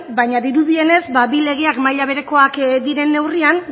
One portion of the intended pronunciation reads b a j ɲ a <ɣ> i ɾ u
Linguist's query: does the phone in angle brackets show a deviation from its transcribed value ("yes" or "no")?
yes